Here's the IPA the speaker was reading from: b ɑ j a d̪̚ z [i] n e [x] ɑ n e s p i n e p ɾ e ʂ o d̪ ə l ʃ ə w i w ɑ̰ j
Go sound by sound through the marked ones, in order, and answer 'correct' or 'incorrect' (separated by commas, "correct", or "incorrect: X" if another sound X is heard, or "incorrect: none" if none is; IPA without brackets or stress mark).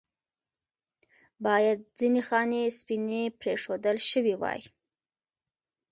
correct, correct